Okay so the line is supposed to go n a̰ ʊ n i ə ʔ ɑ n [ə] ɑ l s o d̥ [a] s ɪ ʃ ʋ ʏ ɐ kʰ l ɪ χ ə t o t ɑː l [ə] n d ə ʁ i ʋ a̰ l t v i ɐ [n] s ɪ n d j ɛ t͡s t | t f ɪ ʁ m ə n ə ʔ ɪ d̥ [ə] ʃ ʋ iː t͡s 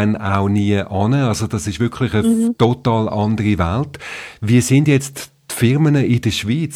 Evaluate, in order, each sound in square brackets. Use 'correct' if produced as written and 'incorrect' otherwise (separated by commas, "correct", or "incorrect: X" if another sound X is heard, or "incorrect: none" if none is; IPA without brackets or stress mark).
correct, incorrect: ɑ, incorrect: ɑ, incorrect: none, correct